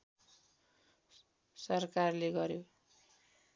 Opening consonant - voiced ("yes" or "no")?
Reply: no